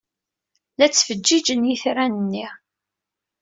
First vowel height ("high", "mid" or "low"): low